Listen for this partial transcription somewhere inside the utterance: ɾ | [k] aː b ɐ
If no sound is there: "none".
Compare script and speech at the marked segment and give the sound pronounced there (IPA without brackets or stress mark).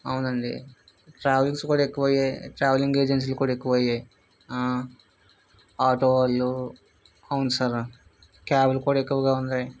k